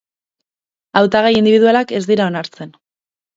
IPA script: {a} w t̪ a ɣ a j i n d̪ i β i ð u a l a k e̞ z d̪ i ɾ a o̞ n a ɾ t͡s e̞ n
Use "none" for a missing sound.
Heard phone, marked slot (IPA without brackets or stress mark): a